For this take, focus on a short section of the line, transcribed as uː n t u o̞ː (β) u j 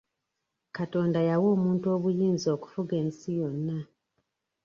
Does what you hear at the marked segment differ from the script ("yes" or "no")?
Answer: no